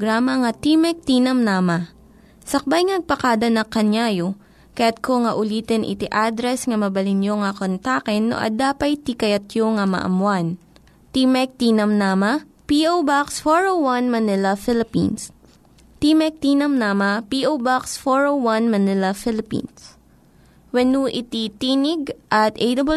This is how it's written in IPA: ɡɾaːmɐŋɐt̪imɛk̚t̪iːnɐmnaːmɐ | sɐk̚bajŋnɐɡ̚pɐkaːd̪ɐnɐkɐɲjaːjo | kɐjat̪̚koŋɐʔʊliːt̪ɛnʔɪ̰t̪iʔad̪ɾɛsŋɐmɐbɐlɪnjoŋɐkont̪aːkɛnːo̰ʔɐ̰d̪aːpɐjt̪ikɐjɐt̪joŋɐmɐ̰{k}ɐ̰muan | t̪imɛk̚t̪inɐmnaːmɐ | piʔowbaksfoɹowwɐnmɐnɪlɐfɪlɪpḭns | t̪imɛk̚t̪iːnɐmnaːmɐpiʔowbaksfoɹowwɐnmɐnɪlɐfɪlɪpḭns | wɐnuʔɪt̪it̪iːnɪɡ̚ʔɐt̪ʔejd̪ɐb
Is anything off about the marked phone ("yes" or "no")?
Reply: yes